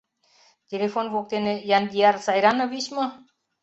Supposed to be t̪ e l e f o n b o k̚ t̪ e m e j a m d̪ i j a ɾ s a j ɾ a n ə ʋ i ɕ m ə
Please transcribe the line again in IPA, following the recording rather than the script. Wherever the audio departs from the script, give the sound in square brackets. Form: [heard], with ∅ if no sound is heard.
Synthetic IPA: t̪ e l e f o n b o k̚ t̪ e [n] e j a [n] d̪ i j a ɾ s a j ɾ a n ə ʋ i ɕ m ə